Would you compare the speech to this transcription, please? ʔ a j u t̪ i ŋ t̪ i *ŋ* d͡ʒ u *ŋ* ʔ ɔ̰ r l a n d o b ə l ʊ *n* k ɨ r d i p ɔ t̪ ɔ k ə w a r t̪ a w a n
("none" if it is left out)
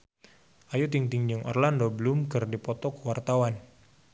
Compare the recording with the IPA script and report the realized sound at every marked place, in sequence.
ŋ, ŋ, m

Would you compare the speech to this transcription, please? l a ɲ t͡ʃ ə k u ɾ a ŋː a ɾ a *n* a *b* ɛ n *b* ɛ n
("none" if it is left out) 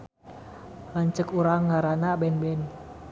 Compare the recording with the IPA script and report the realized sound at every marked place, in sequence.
n, b, b

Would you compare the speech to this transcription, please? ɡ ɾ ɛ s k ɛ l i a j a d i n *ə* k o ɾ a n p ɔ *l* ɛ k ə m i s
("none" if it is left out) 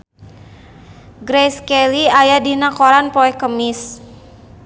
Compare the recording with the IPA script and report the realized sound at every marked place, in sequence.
a, none

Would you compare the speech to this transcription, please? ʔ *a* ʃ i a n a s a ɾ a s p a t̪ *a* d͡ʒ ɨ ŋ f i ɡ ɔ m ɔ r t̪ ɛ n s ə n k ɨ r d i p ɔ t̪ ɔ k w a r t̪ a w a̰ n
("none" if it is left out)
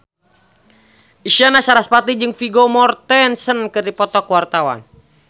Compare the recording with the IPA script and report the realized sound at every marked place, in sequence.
i, i

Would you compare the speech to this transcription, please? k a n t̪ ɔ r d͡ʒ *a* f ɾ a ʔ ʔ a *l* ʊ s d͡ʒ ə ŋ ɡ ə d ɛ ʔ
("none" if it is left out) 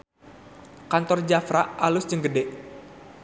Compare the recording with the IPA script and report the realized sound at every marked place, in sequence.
a, l

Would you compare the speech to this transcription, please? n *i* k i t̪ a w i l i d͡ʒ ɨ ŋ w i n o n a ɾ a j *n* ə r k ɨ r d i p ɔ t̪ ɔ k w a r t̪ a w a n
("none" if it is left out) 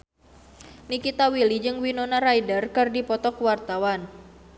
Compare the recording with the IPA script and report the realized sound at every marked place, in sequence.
i, d

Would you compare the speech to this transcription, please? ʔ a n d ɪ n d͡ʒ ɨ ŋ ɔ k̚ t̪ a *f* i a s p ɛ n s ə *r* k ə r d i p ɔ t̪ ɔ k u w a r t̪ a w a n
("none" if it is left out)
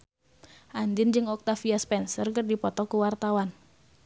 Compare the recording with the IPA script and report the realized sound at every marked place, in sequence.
f, r

